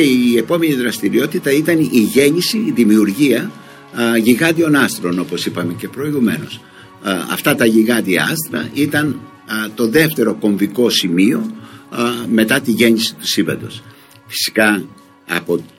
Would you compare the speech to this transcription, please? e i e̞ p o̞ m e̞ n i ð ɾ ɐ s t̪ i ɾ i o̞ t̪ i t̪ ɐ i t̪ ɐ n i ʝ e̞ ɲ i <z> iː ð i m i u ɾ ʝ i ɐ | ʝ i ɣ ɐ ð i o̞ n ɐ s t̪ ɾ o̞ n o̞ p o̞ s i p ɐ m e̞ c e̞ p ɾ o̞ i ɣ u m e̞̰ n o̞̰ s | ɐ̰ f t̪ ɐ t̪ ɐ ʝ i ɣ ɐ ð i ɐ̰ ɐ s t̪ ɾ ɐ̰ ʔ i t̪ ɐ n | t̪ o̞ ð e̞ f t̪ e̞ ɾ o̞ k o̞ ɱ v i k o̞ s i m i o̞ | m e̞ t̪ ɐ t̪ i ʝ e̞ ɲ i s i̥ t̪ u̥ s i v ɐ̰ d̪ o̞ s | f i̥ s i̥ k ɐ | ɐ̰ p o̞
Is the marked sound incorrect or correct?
incorrect